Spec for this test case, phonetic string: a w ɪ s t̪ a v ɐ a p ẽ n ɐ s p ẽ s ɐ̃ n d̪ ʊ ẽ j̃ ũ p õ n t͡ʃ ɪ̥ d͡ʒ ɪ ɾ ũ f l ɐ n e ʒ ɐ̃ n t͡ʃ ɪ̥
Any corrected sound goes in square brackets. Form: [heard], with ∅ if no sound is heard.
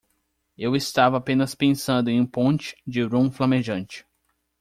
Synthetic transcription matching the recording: [e] w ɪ s t̪ a v ɐ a p ẽ n ɐ s p ẽ s ɐ̃ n d̪ ʊ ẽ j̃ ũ p õ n t͡ʃ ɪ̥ d͡ʒ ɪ ɾ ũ f l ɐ [m] e ʒ ɐ̃ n t͡ʃ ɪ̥